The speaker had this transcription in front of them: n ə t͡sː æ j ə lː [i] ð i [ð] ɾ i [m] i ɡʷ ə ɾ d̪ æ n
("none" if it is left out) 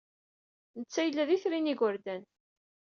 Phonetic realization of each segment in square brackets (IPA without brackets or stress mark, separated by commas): æ, θ, n